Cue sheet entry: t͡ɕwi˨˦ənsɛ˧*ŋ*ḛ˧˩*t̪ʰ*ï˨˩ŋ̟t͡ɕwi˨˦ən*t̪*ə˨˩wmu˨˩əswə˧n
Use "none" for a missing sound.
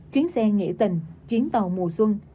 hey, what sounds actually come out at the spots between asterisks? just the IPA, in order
ŋ, t̪, t̪

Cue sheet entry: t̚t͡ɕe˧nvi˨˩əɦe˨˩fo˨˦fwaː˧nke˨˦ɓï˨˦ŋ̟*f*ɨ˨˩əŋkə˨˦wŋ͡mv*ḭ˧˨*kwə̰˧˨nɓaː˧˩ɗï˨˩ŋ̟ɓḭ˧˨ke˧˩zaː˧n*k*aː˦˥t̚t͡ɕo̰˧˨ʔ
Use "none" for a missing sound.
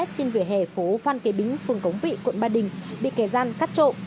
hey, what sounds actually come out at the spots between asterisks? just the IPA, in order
f, ḭ˧˨, k

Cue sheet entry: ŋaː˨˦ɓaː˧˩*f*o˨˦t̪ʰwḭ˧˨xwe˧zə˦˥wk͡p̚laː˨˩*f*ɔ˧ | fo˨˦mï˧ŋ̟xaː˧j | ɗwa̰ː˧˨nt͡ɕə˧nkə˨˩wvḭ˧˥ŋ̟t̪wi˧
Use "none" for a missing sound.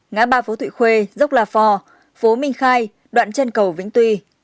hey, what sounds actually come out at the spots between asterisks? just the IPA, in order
f, f

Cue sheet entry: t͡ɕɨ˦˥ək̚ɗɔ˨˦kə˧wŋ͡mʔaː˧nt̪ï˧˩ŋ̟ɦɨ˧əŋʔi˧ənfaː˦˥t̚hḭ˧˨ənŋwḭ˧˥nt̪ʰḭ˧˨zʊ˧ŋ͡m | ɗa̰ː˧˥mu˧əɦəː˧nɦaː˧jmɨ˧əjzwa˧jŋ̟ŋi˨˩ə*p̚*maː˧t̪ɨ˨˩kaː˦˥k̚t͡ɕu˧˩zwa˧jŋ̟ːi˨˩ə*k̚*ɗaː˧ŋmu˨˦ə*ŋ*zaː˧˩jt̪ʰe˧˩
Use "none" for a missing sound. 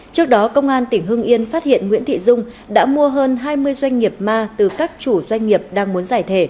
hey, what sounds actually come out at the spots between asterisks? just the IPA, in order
p̚, p̚, n

